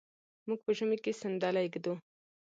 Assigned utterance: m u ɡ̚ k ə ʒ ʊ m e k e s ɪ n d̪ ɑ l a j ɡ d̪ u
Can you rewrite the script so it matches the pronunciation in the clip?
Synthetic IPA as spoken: m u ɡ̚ p ə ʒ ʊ m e k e s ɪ n d̪ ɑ l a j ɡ d̪ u

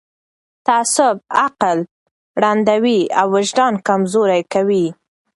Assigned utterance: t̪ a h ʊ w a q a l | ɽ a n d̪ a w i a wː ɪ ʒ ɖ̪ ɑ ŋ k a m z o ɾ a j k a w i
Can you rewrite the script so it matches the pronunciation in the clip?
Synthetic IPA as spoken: t̪ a s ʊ b a q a l | ɽ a n d̪ a w i a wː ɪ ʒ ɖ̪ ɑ n k a m z o ɾ a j k a w i

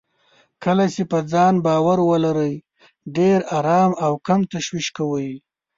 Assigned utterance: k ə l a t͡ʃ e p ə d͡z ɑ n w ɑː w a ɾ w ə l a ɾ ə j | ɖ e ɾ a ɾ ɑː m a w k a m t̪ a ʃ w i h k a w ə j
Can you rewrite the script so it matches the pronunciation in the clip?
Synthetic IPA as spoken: k ə l a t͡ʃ e p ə d͡z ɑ n b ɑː w a ɾ w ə l a ɾ ə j | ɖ e ɾ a ɾ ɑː m a w k a m t̪ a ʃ w i ʃ k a w ə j

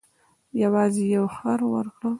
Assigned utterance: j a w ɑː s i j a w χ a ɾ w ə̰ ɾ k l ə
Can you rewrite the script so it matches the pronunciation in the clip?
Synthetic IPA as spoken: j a w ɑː z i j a w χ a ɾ w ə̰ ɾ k ɽ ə

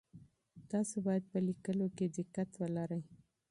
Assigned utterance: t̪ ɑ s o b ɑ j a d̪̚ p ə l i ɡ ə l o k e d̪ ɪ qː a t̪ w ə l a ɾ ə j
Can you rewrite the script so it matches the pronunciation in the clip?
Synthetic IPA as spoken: t̪ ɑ s o b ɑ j a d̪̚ p ə l i k ə l o k e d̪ ɪ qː a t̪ w ə l a ɾ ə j

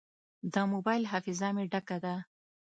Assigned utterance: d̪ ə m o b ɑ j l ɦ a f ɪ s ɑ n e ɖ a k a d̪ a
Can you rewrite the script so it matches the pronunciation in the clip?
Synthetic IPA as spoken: d̪ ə m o b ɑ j l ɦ a f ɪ z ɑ m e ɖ a k a d̪ a

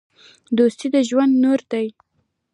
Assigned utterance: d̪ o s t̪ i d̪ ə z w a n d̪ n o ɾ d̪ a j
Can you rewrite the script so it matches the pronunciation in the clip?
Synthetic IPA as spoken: d̪ o s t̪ i d̪ ə ʒ w a n d̪ n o ɾ d̪ a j

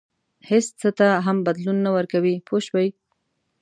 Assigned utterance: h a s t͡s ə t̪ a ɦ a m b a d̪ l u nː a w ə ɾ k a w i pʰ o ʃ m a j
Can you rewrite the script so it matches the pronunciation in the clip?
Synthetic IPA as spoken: h e s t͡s ə t̪ a ɦ a m b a d̪ l u nː a w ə ɾ k a w i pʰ o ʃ b a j

